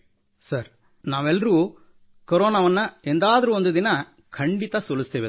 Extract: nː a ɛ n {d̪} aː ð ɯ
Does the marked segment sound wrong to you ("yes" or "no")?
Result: no